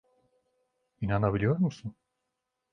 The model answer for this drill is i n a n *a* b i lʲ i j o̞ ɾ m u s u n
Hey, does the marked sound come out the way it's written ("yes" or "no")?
yes